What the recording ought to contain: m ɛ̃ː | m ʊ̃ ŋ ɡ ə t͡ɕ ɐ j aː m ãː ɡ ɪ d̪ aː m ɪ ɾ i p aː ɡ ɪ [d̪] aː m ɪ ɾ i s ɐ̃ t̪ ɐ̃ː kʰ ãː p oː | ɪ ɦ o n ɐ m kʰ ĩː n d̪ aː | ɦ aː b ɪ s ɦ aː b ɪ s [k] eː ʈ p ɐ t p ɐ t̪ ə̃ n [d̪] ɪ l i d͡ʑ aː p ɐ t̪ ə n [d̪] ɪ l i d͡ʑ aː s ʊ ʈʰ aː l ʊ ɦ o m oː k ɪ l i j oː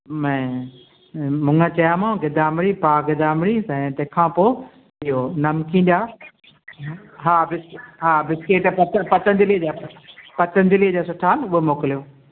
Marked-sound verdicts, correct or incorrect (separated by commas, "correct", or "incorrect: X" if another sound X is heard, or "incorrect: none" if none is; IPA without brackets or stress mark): correct, correct, correct, correct